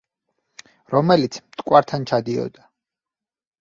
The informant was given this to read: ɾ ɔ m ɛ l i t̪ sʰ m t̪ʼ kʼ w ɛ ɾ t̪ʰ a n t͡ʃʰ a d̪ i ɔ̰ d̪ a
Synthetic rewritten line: ɾ ɔ m ɛ l i t̪ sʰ m t̪ʼ kʼ w a ɾ t̪ʰ a n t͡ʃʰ a d̪ i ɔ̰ d̪ a

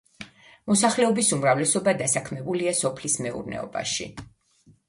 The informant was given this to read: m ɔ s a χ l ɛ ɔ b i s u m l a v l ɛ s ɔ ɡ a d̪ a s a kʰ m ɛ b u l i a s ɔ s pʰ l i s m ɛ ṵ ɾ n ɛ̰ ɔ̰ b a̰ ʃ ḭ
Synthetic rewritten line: m ɔ s a χ l ɛ ɔ b i s u m ɾ a v l ɛ s ɔ b a d̪ a s a kʰ m ɛ b u l i a s ɔ pʰ l i s m ɛ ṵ ɾ n ɛ̰ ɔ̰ b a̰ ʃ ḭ

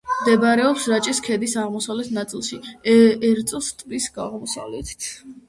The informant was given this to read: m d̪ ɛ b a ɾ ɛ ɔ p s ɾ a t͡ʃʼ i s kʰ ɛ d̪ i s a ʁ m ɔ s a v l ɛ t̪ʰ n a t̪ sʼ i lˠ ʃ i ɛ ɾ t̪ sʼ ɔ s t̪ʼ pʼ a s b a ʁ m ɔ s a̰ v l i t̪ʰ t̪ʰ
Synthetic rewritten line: m d̪ ɛ b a ɾ ɛ ɔ p s ɾ a t͡ʃʼ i s kʰ ɛ d̪ i s a ʁ m ɔ s a v l ɛ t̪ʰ n a t̪ sʼ i lˠ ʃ i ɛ ɾ t̪ sʼ ɔ s t̪ʼ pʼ i s ɡ a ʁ m ɔ s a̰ v l ɛ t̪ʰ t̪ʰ

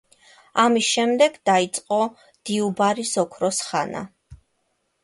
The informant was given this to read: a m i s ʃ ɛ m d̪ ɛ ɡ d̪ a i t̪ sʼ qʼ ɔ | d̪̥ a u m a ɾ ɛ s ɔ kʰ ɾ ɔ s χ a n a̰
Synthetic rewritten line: a m i s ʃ ɛ m d̪ ɛ ɡ d̪ a i t̪ sʼ qʼ ɔ | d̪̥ i u b a ɾ i s ɔ kʰ ɾ ɔ s χ a n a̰

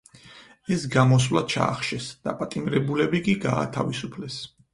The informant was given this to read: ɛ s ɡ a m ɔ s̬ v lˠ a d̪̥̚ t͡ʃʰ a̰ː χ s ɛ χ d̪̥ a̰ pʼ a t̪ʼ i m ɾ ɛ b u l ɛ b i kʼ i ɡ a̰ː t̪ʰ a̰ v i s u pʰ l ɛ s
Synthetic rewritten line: ɛ s ɡ a m ɔ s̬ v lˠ a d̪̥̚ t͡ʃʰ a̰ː χ ʃ ɛ s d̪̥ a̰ pʼ a t̪ʼ i m ɾ ɛ b u l ɛ b i kʼ i ɡ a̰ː t̪ʰ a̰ v i s u pʰ l ɛ s

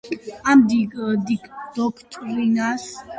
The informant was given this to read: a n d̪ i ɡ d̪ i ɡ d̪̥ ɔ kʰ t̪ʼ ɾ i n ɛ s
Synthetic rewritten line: a m d̪ i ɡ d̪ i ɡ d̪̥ ɔ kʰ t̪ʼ ɾ i n a s

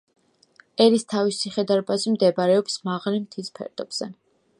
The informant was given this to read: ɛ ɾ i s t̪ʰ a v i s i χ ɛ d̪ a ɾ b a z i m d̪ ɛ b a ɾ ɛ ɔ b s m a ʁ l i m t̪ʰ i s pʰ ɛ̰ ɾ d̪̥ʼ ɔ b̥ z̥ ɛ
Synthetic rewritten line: ɛ ɾ i s t̪ʰ a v i s i χ ɛ d̪ a ɾ b a z i m d̪ ɛ b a ɾ ɛ ɔ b s m a ʁ l i m t̪ʰ i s pʰ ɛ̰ ɾ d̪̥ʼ ɔ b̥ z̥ ɛ

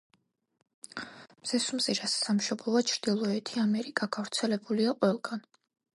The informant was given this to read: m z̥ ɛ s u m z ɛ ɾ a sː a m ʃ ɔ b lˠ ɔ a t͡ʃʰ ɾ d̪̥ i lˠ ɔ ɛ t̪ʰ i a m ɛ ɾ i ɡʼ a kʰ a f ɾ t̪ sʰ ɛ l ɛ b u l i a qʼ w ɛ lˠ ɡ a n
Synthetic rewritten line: m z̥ ɛ s u m z i ɾ a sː a m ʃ ɔ b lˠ ɔ a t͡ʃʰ ɾ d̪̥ i lˠ ɔ ɛ t̪ʰ i a m ɛ ɾ i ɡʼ a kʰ a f ɾ t̪ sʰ ɛ l ɛ b u l i a qʼ w ɛ lˠ ɡ a n

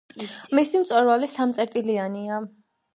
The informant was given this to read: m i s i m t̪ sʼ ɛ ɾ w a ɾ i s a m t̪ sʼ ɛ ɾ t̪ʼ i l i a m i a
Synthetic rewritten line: m i s i m t̪ sʼ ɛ ɾ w a l i s a m t̪ sʼ ɛ ɾ t̪ʼ i l i a n i a

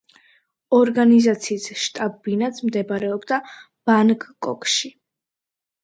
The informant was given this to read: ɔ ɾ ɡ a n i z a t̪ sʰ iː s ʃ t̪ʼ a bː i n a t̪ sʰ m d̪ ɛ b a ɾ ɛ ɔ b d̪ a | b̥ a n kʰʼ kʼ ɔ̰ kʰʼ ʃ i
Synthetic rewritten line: ɔ ɾ ɡ a n i z a t̪ sʰ iː s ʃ t̪ʼ a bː i n a t̪ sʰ m d̪ ɛ b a ɾ ɛ ɔ b d̪ a | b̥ a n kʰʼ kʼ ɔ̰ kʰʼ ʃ i

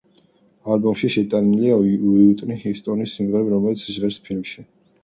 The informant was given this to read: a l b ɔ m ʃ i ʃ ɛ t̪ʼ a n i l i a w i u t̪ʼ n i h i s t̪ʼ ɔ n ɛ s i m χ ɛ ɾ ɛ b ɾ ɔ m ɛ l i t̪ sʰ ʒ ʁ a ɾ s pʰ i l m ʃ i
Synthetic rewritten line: a l b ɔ m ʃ i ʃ ɛ t̪ʼ a n i l i a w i u t̪ʼ n i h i s t̪ʼ ɔ n i s i m ʁ ɛ ɾ ɛ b ɾ ɔ m ɛ l i t̪ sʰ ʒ ʁ ɛ ɾ s pʰ i l m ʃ i

